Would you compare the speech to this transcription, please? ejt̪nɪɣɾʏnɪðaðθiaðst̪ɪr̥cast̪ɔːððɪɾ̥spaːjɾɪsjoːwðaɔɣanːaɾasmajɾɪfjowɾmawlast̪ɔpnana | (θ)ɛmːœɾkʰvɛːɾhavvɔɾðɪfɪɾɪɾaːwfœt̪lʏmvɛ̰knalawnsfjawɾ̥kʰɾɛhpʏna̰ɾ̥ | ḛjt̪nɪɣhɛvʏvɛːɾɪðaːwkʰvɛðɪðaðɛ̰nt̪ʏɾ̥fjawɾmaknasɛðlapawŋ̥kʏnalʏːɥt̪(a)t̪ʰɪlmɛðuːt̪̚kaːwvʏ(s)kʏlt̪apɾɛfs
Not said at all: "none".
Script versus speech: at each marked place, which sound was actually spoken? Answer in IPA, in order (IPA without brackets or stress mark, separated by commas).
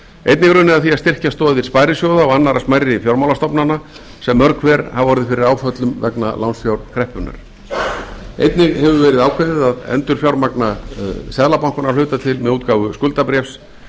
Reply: s, a, s